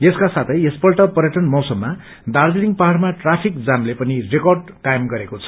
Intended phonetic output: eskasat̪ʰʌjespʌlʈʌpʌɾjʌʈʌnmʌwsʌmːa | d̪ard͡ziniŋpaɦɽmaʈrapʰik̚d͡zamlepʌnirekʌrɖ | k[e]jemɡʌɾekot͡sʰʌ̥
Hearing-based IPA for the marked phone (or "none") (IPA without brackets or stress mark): a